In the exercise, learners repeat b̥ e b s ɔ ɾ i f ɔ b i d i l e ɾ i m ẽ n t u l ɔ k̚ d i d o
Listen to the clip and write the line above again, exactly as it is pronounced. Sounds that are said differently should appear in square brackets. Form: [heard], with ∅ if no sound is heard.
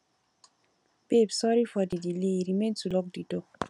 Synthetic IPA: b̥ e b s ɔ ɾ i f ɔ [d] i d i l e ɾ i m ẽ n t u l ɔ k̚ d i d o

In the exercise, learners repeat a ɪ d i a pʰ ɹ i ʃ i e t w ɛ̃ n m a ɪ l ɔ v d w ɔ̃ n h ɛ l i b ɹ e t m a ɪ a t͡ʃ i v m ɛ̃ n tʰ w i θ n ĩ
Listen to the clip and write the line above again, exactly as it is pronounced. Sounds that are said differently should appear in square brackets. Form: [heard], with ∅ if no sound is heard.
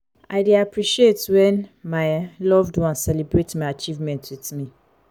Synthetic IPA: a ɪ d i a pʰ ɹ i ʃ i e t w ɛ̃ n m a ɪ l ɔ v d w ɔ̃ n [s] ɛ l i b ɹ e t m a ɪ a t͡ʃ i v m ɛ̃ n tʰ w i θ [m] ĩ

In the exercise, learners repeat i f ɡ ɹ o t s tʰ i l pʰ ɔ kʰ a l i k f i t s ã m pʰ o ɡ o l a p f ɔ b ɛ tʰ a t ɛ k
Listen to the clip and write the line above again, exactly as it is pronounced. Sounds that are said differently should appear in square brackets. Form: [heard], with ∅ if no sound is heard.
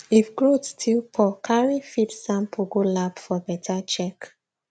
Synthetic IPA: i f ɡ ɹ o t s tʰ i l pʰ ɔ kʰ a [ɹ] i [∅] f i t s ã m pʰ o ɡ o l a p f ɔ b ɛ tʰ a [t͡ʃ] ɛ k

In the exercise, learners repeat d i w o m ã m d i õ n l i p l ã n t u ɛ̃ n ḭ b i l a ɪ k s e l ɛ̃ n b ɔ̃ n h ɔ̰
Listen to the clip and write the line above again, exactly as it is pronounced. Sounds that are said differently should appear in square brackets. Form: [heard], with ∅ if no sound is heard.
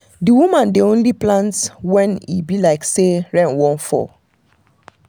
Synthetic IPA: d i w [u] m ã [n] d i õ n l i p l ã n t [w] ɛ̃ n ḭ b i l a ɪ k s e [ɹ] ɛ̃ n [w] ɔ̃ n [f] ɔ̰

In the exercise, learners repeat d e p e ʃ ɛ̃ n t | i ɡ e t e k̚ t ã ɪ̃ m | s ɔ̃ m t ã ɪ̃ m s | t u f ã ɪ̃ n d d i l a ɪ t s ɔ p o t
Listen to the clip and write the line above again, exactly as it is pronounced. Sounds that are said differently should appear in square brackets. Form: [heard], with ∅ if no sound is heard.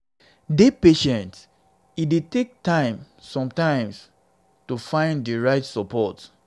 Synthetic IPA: d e p e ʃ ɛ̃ n t | i [d] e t e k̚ t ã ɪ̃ m | s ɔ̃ m t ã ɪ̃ m s | t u f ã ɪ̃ n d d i [ɹ] a ɪ t s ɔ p [ɔ] t

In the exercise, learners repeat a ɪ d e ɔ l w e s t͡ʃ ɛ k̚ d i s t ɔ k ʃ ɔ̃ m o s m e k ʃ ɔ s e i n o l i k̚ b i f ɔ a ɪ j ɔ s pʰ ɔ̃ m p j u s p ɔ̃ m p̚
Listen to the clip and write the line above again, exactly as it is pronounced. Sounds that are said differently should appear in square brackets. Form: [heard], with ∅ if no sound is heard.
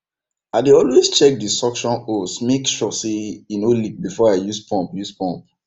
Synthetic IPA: a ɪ d e ɔ l w e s t͡ʃ ɛ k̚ d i s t ɔ k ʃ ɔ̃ [n] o s m e k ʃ ɔ s e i n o l i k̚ b i f ɔ a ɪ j [u] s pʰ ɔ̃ m p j u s p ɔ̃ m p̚

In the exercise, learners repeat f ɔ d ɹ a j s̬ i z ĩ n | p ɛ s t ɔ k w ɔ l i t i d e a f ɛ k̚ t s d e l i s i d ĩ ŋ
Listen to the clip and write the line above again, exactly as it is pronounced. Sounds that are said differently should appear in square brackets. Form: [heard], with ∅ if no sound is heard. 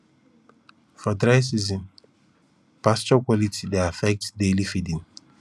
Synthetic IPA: f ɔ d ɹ a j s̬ i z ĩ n | p [a] s [t͡ʃ] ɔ k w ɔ l i t i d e a f ɛ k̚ t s d e l i [f] i d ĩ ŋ

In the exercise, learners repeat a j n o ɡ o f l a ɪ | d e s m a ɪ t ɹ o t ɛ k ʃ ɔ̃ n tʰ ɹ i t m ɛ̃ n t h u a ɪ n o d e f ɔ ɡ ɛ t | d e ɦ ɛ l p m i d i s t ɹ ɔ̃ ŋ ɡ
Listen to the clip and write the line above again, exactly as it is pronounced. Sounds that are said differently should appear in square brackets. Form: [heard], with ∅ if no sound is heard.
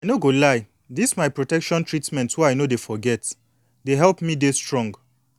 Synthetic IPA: a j n o ɡ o [∅] l a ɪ | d [i] s m a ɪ [p] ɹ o t ɛ k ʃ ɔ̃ n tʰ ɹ i t m ɛ̃ n t h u a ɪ n o d e f ɔ ɡ ɛ t | d e ɦ ɛ l p m i d [e] s t ɹ ɔ̃ ŋ ɡ

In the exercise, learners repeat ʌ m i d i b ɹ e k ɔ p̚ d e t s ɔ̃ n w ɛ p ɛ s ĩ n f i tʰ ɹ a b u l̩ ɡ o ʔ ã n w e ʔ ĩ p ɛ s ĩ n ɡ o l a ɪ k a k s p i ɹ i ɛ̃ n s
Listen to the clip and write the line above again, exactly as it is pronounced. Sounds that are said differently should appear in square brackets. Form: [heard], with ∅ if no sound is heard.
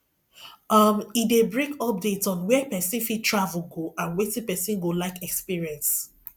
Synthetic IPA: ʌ m i d [e] b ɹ e k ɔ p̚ d e t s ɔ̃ n w ɛ p ɛ s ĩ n f i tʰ ɹ a [v] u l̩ ɡ o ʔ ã n w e [t] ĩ p ɛ s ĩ n ɡ o l a ɪ k [ɛ] k s p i ɹ i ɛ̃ n s

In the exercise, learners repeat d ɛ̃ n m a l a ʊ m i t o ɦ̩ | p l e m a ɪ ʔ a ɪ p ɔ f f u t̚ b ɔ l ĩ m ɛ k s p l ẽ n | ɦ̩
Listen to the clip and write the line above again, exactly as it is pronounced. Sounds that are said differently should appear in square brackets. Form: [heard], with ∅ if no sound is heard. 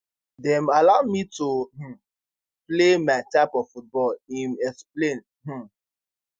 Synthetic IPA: d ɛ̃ [∅] m a l a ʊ m i t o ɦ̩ | p l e m a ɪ [t] a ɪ p ɔ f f u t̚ b ɔ l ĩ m ɛ k s p l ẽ n | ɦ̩

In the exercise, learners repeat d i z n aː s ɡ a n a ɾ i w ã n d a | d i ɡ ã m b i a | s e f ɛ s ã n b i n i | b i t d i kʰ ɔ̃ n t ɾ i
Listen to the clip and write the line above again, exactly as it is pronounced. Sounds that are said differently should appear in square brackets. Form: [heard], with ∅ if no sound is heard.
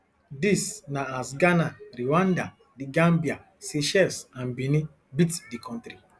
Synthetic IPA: d i [s] n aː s ɡ a n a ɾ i w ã n d a | d i ɡ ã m b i a | s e [ʃ] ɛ s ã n b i n i | b i t d i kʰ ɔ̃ n t ɾ i

